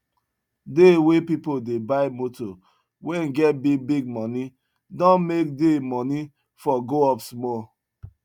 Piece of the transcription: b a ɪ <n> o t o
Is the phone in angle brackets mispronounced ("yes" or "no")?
yes